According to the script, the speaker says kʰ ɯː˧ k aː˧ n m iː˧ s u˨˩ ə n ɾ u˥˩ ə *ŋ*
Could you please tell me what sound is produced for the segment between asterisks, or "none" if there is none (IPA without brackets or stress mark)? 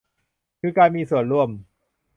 m